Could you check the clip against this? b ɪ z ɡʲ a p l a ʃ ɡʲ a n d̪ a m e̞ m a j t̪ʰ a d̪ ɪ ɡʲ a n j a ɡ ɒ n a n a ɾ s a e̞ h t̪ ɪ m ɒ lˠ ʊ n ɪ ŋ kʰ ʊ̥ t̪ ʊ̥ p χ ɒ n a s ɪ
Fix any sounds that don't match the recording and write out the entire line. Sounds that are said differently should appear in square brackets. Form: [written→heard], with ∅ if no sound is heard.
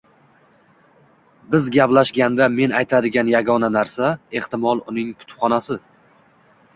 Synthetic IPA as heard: b ɪ z ɡʲ a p l a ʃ ɡʲ a n d̪ a m e̞ [m→n] a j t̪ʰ a d̪ ɪ ɡʲ a n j a ɡ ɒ n a n a ɾ s a e̞ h t̪ ɪ m ɒ lˠ ʊ n ɪ ŋ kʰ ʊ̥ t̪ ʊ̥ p χ ɒ n a s ɪ